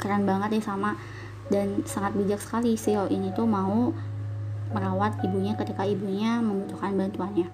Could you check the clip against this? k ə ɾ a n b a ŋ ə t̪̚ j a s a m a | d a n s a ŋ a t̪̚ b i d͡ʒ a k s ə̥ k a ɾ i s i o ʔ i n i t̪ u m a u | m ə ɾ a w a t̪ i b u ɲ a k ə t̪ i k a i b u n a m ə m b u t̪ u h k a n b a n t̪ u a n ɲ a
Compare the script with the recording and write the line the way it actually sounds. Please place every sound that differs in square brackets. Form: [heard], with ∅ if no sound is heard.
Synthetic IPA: k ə ɾ a n b a ŋ ə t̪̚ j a s a m a | d a n s a ŋ a t̪̚ b i d͡ʒ a k s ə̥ k a [l] i s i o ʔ i n i t̪ u m a u | m ə ɾ a w a t̪ i b u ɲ a k ə t̪ i k a i b u [ɲ] a m ə m b u t̪ u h k a n b a n t̪ u a n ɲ a